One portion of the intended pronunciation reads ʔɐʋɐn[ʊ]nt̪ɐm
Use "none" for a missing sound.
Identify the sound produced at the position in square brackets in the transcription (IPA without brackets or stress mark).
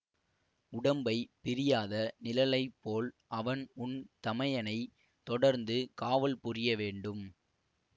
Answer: ʊ